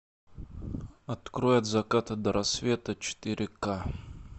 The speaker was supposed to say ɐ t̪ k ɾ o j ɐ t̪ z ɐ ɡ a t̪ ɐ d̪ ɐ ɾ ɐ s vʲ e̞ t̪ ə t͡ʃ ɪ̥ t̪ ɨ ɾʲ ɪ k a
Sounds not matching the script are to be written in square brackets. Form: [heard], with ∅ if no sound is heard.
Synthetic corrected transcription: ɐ t̪ k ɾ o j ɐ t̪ z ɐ [k] a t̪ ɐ d̪ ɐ ɾ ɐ s vʲ e̞ t̪ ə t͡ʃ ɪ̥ t̪ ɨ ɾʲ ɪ k a